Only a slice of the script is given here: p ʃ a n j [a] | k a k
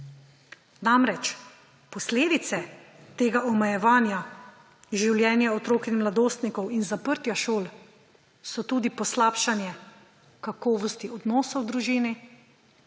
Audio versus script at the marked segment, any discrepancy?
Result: yes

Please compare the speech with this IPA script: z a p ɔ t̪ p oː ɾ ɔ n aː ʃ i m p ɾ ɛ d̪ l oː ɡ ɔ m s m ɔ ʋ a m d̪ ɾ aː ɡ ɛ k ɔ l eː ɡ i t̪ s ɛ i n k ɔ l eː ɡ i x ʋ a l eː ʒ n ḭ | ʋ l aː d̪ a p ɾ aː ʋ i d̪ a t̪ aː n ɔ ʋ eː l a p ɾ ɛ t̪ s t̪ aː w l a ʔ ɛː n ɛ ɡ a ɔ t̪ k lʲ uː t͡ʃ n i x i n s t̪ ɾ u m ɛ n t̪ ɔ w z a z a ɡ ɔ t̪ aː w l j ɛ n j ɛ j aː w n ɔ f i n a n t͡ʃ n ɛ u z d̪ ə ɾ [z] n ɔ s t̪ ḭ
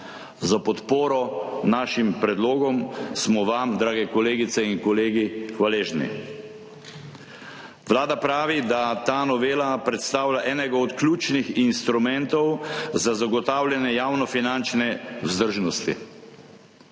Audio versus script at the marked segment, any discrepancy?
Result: yes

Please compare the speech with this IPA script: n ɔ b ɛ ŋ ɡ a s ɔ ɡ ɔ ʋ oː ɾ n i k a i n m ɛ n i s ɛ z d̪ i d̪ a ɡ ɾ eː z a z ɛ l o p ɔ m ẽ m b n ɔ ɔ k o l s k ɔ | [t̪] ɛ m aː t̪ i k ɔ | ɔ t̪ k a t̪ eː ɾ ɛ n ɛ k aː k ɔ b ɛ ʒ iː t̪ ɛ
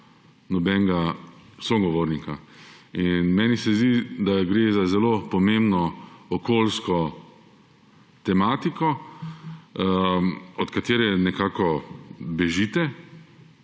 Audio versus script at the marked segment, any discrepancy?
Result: no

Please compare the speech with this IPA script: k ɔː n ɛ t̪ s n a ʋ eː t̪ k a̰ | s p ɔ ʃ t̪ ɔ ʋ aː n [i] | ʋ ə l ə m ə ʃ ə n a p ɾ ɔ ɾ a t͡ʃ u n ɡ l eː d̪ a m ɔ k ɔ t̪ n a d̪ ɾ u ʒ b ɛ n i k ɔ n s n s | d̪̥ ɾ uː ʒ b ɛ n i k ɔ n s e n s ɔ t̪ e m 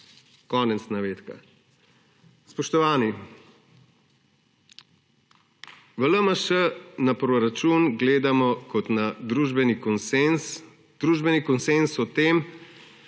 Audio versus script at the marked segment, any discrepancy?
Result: no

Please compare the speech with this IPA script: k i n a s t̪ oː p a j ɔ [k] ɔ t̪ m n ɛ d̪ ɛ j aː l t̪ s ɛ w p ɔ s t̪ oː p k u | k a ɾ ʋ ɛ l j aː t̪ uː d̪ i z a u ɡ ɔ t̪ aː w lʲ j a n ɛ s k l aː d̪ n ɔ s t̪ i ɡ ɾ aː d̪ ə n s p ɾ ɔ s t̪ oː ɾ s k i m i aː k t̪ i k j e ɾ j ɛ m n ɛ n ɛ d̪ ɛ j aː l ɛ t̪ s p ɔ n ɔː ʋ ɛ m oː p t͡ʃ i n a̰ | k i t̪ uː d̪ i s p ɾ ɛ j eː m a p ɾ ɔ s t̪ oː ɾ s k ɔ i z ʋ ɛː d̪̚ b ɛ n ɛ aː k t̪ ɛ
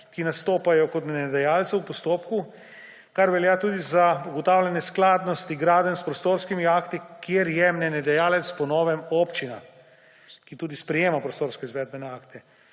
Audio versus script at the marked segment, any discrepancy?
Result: no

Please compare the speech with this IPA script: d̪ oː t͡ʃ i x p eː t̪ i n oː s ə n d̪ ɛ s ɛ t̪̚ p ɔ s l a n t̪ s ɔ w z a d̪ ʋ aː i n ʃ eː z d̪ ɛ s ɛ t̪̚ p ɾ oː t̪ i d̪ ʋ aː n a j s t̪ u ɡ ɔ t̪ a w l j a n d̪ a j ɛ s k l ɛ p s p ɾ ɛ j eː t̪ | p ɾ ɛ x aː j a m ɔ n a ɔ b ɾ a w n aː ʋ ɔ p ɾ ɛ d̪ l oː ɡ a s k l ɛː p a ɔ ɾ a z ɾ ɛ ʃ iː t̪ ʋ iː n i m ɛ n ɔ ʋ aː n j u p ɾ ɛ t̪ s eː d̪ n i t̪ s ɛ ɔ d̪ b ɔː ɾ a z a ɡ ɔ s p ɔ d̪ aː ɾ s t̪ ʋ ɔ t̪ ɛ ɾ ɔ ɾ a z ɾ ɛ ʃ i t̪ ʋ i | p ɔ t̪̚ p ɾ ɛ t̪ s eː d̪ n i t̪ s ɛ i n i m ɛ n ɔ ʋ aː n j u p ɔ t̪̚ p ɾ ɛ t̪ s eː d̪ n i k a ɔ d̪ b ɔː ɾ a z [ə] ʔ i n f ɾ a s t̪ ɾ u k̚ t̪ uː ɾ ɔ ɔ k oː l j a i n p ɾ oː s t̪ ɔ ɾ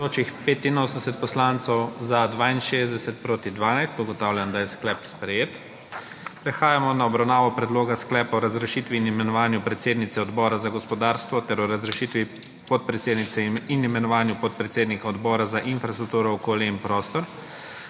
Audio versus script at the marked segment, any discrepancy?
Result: yes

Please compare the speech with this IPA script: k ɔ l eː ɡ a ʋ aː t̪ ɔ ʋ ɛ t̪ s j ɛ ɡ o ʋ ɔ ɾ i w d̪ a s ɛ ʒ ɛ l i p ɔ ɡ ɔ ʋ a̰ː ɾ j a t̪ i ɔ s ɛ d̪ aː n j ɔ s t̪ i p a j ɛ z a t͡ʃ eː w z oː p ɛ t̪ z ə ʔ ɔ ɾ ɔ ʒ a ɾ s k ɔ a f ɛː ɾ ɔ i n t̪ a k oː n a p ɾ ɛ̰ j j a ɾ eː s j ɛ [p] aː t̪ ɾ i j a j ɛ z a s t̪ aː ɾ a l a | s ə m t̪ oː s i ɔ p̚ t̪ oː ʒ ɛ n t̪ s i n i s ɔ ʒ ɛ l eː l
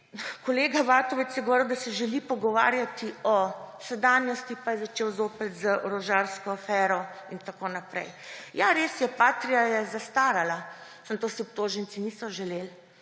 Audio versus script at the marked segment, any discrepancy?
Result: no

